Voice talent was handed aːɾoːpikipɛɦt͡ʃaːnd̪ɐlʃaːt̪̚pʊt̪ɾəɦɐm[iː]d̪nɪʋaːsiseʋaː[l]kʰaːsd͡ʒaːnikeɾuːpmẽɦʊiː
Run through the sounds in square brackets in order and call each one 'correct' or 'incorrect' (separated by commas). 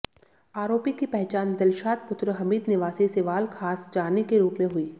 correct, correct